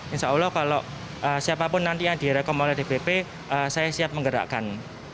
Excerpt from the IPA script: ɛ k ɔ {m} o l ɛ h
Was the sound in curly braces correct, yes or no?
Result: yes